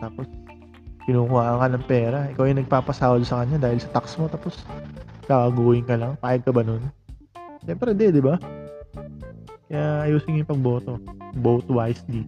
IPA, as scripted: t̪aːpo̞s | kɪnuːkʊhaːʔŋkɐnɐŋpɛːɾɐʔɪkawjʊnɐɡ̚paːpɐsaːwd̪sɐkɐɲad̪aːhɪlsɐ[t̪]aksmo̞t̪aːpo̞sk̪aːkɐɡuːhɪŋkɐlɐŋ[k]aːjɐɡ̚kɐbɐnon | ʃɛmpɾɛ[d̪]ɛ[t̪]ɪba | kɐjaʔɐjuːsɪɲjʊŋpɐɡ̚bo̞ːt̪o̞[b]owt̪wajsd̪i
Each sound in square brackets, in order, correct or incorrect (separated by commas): correct, incorrect, correct, incorrect, correct